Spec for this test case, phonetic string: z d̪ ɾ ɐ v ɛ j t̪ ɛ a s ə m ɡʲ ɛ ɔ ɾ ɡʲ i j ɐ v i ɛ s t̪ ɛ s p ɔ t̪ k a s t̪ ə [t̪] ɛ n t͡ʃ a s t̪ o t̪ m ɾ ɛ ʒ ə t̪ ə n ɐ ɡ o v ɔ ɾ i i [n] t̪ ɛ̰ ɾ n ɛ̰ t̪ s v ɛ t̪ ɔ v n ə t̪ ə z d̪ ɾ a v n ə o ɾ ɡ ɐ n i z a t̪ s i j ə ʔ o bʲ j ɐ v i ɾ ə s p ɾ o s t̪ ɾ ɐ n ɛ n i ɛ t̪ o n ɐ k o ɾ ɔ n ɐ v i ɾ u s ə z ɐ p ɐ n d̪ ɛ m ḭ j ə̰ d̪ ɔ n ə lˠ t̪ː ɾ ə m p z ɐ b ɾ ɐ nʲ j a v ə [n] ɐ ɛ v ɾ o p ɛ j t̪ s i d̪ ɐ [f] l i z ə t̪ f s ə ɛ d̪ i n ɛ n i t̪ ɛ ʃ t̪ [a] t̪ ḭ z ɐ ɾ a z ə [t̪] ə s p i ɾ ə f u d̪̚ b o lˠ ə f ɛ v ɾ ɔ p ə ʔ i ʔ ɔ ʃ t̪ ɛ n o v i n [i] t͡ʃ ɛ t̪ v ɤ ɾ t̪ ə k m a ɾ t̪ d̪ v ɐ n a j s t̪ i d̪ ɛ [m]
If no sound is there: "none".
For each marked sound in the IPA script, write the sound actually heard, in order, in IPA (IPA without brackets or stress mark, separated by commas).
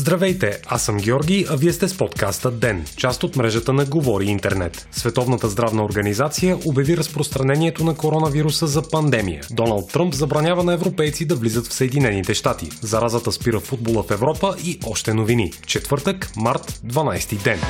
d̪, n, n, v, a, t̪, i, n